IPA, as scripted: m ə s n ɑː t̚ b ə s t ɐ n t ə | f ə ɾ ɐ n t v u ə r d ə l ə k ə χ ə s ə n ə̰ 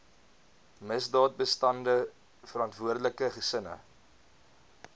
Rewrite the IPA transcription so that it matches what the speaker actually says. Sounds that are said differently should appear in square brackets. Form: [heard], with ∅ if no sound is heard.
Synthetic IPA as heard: m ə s [d] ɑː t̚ b ə s t ɐ n [d] ə | f ə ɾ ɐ n t v u ə r d ə l ə k ə χ ə s ə n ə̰